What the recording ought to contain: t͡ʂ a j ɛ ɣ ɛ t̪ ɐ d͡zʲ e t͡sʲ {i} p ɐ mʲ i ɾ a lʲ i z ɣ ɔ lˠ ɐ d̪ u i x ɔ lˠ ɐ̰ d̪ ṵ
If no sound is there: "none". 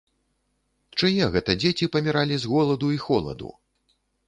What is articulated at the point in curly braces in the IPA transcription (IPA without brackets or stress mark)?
i